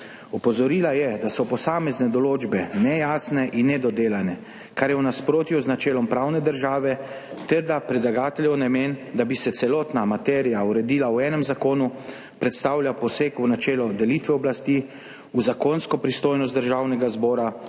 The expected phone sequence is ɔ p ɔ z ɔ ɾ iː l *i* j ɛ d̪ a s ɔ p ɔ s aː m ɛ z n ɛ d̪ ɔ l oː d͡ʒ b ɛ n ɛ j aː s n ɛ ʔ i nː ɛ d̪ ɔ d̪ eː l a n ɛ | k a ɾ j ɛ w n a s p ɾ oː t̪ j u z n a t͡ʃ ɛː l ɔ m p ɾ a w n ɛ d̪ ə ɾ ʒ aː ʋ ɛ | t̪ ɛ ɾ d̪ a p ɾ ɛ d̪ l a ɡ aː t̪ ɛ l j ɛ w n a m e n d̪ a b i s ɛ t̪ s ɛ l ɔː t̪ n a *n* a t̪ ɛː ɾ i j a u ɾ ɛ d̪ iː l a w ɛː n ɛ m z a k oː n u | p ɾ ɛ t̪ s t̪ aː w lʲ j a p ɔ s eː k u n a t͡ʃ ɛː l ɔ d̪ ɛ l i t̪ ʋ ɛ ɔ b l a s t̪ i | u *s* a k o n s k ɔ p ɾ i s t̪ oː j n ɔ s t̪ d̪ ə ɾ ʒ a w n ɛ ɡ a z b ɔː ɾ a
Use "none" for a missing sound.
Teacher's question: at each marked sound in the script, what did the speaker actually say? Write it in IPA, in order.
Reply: a, m, z

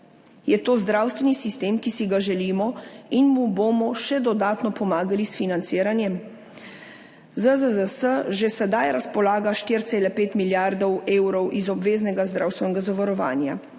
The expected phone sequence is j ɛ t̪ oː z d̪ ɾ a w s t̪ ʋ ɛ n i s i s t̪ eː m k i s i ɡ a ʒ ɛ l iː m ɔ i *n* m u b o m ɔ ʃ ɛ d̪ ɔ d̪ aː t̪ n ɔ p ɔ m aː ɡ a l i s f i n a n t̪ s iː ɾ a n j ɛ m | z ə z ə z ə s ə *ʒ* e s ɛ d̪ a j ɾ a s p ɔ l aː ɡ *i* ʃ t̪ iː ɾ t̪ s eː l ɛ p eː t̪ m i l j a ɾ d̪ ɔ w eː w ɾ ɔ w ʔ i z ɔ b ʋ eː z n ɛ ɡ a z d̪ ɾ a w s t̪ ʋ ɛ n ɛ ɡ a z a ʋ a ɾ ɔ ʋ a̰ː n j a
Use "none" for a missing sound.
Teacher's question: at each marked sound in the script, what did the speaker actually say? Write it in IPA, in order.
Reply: n, ʒ, a

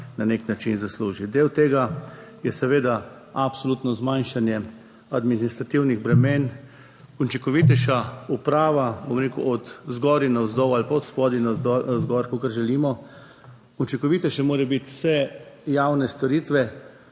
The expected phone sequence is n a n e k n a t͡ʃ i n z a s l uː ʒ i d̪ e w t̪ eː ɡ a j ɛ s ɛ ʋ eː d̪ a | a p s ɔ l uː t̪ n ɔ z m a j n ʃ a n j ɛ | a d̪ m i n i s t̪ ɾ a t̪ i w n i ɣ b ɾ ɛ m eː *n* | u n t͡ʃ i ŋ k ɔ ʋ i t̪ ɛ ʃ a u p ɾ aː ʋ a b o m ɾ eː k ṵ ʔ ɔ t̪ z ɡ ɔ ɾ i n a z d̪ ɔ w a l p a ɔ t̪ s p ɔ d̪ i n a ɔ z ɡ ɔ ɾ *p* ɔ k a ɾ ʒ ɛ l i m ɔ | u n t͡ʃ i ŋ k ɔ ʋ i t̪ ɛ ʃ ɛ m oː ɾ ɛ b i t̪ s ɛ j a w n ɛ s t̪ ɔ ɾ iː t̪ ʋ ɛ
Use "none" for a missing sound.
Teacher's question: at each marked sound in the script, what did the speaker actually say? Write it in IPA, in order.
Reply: n, k

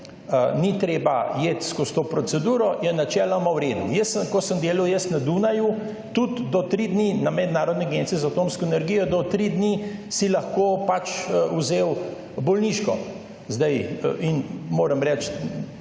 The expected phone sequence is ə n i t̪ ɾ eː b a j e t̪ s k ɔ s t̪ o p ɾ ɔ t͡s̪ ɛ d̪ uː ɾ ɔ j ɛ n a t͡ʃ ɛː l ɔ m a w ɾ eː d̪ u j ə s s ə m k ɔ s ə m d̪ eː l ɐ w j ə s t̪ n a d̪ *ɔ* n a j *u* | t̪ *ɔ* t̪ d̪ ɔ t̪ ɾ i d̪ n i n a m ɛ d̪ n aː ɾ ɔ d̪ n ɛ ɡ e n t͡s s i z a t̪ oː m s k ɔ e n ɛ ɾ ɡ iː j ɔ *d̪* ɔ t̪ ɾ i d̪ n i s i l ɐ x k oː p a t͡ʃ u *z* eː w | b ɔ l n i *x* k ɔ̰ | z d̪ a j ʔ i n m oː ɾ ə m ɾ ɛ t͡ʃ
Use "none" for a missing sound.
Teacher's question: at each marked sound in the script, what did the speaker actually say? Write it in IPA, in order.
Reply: u, u, u, d̪, z, ʃ

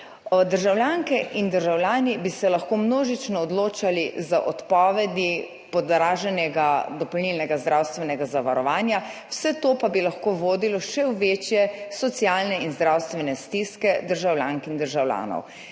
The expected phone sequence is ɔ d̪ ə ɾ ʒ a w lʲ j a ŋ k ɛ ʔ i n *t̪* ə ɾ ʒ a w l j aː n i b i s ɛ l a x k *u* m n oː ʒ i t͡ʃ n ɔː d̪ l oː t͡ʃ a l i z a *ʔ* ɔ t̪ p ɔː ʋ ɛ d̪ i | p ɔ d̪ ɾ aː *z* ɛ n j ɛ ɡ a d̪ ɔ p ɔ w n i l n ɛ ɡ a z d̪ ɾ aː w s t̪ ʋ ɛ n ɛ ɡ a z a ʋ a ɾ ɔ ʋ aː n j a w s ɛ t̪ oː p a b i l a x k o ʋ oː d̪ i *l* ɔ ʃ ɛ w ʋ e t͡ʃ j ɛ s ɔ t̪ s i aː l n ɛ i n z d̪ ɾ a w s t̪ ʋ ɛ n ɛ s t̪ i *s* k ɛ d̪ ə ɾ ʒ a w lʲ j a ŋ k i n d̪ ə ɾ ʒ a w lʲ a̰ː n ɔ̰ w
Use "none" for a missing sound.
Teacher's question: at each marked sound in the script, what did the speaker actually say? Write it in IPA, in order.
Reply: d̪, o, ʔ, ʒ, l, s

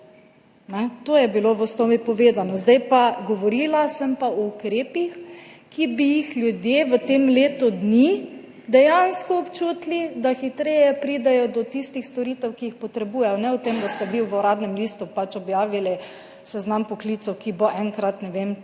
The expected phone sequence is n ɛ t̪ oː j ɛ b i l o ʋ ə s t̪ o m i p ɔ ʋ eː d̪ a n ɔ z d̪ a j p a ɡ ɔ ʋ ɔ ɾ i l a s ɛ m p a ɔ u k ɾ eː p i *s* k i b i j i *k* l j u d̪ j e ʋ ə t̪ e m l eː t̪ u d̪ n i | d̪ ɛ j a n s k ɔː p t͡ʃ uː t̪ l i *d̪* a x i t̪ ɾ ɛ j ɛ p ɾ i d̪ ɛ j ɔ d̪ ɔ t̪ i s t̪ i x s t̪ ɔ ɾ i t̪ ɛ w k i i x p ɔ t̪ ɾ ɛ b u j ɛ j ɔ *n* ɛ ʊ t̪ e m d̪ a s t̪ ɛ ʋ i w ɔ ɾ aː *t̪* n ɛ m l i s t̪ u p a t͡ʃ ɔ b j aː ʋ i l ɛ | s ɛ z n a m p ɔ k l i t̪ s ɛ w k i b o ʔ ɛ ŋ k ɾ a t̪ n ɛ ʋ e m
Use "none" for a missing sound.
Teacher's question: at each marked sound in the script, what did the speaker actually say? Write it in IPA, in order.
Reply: x, x, d̪, n, d̪

